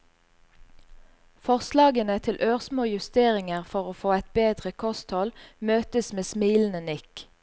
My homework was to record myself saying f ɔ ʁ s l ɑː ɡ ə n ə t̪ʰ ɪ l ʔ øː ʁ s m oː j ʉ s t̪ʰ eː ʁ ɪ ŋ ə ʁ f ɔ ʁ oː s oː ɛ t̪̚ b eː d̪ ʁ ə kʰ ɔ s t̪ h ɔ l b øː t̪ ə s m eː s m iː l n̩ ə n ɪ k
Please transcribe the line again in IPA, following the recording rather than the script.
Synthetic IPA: f ɔ ʁ s l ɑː ɡ ə n ə t̪ʰ ɪ l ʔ øː ʁ s m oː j ʉ s t̪ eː ʁ ɪ ŋ ə ʁ f ɔ ʁ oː f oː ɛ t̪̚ b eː d̪ ʁ ə kʰ ɔ s t̪ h ɔ l m øː t̪ ə s m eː s m iː l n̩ ə n ɪ k